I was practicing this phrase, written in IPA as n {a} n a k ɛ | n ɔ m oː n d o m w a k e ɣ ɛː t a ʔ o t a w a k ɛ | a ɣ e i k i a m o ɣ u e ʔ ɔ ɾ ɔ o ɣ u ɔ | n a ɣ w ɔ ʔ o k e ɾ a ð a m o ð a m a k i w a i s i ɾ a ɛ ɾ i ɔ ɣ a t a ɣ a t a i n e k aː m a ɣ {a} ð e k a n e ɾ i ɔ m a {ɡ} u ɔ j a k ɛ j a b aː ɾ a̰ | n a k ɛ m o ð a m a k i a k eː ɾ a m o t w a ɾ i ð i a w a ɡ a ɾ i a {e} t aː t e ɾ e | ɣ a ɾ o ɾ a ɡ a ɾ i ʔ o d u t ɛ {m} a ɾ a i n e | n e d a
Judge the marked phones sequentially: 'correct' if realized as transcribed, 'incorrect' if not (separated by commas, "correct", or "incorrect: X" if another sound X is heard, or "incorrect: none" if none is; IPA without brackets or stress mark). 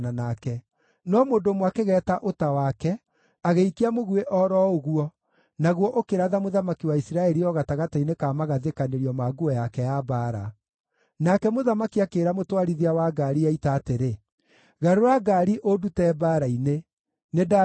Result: correct, correct, correct, incorrect: i, incorrect: b